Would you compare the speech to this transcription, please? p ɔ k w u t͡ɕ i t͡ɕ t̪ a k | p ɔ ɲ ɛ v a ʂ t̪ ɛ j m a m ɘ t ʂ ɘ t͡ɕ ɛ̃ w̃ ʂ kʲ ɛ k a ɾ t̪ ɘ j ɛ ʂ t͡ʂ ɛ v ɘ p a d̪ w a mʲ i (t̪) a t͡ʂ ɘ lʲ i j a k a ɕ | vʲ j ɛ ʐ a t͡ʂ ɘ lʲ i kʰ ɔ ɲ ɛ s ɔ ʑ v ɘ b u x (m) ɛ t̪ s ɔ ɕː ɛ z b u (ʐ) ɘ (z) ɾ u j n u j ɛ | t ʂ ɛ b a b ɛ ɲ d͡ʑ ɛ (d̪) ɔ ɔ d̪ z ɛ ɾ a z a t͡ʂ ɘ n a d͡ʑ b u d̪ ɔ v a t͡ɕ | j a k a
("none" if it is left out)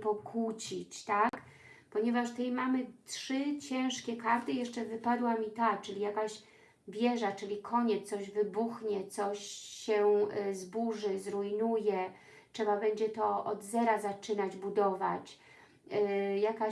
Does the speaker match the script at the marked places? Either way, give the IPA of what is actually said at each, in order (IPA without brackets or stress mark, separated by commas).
t̪, ɲ, ʐ, z, t̪